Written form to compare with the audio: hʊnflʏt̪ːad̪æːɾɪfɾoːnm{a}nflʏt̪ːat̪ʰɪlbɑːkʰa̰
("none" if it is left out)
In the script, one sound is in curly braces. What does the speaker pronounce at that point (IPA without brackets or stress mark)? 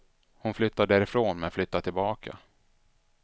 ɛ